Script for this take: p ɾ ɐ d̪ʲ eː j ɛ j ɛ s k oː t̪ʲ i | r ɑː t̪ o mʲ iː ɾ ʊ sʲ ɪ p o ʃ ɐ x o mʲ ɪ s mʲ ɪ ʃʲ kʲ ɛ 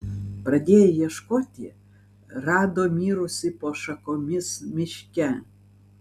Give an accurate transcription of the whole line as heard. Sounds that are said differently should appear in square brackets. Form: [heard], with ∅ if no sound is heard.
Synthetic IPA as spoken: p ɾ ɐ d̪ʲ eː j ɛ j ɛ [ʃ] k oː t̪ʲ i | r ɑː [d̪] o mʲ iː ɾ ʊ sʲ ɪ p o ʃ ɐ [k] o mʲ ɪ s mʲ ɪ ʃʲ kʲ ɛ